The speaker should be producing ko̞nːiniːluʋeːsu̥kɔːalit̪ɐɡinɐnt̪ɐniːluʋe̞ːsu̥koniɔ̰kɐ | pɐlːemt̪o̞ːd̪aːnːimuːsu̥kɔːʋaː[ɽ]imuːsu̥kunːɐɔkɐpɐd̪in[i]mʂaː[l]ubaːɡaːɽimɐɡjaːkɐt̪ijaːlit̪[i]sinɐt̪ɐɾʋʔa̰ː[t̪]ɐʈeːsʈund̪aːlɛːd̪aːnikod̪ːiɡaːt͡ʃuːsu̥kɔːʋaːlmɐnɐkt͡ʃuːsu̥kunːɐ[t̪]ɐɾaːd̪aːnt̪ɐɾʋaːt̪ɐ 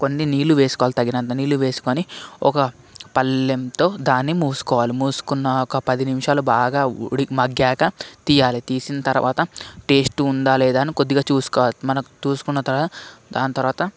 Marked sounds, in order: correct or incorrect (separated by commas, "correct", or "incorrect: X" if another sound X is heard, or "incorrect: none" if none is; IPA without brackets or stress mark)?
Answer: incorrect: l, correct, correct, incorrect: iː, correct, correct